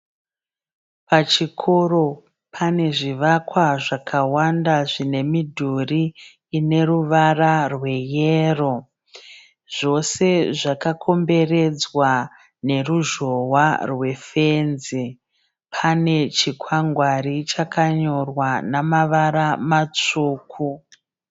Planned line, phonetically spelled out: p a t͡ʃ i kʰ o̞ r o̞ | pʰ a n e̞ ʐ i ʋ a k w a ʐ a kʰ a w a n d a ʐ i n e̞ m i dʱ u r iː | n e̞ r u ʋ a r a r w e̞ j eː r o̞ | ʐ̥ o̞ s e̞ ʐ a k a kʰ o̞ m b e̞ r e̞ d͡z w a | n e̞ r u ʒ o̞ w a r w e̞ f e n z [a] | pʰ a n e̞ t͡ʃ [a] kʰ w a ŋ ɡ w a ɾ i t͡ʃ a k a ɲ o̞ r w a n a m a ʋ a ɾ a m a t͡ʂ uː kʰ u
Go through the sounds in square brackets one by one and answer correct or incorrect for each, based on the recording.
incorrect: i, incorrect: i

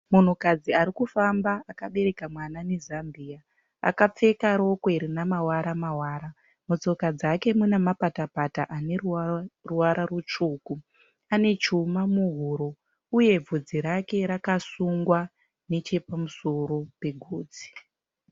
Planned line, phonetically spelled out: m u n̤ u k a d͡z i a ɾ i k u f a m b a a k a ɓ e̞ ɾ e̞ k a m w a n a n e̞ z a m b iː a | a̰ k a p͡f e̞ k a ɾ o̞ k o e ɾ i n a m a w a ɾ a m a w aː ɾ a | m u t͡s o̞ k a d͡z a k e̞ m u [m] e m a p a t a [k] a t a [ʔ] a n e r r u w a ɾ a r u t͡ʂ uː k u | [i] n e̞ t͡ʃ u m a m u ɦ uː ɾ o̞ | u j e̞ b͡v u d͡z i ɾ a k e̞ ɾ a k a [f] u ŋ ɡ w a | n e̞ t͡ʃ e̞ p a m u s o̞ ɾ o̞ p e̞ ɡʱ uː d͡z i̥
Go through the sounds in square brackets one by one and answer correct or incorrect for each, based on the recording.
incorrect: n, incorrect: p, correct, incorrect: a, incorrect: s

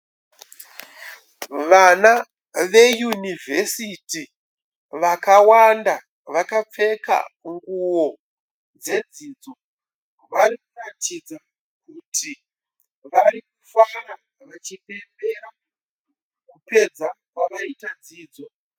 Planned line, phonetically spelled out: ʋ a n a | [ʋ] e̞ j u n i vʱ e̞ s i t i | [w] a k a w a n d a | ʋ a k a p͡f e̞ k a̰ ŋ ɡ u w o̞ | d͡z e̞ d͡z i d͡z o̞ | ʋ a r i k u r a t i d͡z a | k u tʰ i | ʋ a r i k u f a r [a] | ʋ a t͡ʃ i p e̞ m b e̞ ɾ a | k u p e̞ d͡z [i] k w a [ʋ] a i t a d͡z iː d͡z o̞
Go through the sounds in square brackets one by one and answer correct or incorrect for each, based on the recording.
correct, incorrect: ʋ, correct, incorrect: a, correct

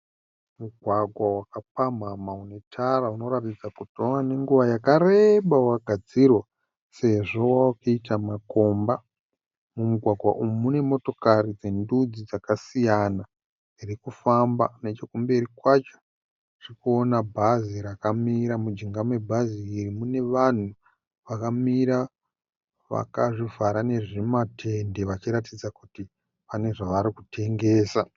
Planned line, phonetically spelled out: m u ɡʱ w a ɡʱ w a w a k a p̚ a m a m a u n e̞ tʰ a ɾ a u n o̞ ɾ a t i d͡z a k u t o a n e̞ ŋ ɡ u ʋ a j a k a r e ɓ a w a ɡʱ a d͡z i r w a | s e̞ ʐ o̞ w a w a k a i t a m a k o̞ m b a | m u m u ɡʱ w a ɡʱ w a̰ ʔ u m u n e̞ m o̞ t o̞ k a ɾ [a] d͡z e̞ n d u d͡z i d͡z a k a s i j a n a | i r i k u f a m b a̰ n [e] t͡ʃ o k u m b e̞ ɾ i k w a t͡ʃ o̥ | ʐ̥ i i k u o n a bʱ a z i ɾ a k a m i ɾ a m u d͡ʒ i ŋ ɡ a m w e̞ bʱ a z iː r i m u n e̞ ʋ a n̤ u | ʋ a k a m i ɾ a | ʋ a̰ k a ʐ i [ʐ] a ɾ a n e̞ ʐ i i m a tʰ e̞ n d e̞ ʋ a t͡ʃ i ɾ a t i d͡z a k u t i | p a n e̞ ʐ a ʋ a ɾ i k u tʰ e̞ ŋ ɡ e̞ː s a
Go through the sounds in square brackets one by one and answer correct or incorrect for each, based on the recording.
incorrect: i, correct, incorrect: v

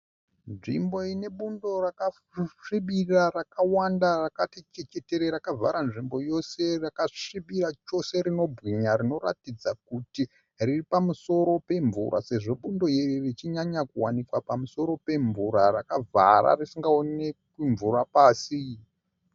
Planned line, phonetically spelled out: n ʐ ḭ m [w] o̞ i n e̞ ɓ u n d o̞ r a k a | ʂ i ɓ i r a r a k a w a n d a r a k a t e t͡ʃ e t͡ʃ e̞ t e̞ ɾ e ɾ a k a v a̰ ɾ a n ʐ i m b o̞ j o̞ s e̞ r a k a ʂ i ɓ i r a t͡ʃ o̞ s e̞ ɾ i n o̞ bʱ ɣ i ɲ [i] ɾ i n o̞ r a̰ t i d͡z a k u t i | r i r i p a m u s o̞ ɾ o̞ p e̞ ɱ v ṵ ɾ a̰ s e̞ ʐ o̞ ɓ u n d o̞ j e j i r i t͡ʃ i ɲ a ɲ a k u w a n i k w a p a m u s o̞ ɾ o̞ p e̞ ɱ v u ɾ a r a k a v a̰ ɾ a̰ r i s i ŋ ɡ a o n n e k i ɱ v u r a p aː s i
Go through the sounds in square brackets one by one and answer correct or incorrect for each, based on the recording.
incorrect: b, incorrect: a

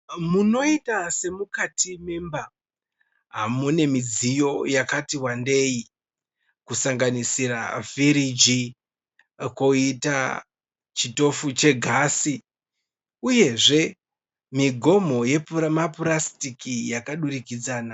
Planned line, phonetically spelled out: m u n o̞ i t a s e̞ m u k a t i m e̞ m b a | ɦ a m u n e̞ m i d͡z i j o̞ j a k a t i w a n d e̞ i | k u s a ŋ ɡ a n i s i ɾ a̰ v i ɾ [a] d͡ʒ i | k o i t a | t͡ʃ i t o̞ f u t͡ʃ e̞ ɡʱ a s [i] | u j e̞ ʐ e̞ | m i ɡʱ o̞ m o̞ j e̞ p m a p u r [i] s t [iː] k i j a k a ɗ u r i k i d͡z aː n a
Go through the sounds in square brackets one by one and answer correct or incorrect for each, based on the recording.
incorrect: i, correct, incorrect: a, incorrect: i

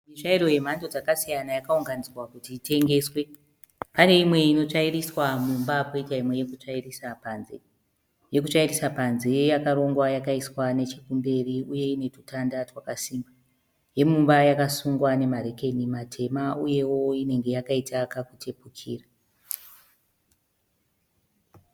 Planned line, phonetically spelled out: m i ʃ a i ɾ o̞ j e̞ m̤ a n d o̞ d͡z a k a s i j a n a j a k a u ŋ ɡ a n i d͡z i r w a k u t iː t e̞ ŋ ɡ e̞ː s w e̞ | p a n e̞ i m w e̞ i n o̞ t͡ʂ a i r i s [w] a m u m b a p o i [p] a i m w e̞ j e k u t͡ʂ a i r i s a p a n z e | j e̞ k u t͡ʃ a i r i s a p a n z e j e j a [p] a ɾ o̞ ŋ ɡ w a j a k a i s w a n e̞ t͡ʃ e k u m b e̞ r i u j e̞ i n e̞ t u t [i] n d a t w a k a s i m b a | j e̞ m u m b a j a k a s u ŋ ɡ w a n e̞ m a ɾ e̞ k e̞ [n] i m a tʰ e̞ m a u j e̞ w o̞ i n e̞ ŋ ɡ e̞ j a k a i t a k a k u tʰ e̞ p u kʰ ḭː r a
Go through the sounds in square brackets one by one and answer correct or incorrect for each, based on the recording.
correct, incorrect: t, incorrect: k, incorrect: a, correct

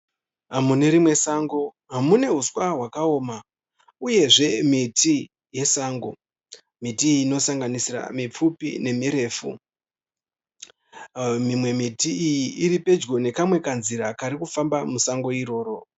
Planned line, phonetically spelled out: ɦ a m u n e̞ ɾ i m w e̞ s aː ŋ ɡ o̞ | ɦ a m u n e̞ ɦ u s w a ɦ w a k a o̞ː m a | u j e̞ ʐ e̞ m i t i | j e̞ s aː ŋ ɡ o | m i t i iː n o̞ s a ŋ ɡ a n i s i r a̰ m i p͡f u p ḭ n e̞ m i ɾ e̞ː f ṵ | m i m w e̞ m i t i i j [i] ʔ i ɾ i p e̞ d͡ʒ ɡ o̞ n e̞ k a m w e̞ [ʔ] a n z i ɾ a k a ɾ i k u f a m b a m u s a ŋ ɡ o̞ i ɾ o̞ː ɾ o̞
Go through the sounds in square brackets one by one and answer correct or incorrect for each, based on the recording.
correct, incorrect: k

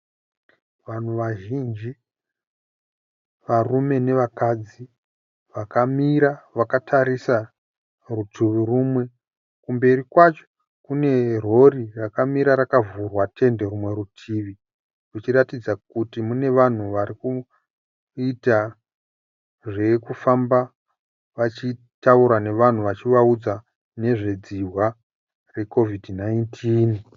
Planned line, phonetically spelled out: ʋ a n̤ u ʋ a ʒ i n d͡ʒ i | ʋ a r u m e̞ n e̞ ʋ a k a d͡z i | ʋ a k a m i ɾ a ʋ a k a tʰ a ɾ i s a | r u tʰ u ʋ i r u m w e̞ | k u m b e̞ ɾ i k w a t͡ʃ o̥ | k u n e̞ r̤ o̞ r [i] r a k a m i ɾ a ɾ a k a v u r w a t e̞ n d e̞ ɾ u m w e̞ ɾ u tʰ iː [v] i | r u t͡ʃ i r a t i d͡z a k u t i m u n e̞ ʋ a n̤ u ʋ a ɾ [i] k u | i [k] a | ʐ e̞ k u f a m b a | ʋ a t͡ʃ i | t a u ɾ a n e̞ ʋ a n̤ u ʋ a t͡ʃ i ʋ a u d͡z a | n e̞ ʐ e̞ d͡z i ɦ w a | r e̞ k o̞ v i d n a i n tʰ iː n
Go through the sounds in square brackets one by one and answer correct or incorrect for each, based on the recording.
correct, incorrect: ʋ, correct, incorrect: t

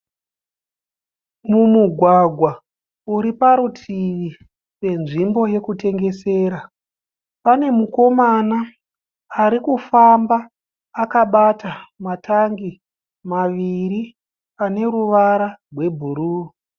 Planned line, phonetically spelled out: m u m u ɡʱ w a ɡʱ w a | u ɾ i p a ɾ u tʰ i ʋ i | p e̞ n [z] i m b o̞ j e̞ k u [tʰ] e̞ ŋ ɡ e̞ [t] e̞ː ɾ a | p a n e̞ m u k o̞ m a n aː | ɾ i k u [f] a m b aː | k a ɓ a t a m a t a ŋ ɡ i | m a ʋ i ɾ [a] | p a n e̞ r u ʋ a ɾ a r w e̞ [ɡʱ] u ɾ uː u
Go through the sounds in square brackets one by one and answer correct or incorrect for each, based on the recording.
incorrect: ʐ, incorrect: t, incorrect: s, correct, incorrect: i, incorrect: bʱ

